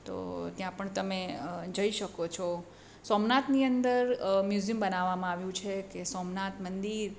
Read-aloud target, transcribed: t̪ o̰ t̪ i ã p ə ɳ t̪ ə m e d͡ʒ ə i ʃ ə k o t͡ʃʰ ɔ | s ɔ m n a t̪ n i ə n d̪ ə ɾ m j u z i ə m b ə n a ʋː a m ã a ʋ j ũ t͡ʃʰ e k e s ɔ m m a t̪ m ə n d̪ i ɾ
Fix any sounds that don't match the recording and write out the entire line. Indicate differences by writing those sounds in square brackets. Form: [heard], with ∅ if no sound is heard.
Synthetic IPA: t̪ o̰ t̪ [j] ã p ə ɳ t̪ ə m e d͡ʒ ə i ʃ ə k o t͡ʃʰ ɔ | s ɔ m n a t̪ n i ə n d̪ ə ɾ m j u z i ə m b ə n a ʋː a m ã a ʋ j ũ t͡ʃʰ e k e s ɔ m [n] a t̪ m ə n d̪ i ɾ